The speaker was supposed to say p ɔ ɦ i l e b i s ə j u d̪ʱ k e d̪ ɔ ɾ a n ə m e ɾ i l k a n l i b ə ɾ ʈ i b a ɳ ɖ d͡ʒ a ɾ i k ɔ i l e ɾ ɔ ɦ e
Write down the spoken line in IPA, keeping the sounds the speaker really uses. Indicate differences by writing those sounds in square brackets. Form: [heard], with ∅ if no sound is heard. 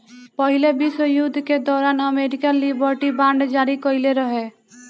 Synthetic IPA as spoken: p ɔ ɦ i l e b i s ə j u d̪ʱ k e d̪ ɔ ɾ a n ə m e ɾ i [∅] k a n l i b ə ɾ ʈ i b a ɳ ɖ d͡ʒ a ɾ i k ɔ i l e ɾ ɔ ɦ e